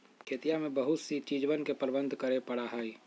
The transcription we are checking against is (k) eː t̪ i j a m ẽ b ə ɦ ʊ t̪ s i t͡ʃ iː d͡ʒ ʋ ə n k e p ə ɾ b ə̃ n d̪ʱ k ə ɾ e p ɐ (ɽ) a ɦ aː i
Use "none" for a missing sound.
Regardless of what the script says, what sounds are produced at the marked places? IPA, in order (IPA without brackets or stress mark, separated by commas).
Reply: kʰ, ɽ